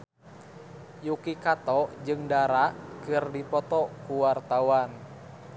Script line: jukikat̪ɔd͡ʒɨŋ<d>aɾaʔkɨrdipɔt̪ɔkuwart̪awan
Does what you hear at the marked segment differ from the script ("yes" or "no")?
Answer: no